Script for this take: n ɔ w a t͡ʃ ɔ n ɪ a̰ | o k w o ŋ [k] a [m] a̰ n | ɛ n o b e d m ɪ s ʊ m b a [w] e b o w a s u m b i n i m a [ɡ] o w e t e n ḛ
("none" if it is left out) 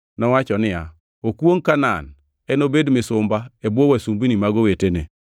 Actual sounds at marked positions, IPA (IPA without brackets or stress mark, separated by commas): k, n, none, ɡ